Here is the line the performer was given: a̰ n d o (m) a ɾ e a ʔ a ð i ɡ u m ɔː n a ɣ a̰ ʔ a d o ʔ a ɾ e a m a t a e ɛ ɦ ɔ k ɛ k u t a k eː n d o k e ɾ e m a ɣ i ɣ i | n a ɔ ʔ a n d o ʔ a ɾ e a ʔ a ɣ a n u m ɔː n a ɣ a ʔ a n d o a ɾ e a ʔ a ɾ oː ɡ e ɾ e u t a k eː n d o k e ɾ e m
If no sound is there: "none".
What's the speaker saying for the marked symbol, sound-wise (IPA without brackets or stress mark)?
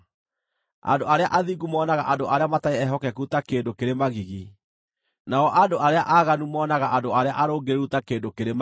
none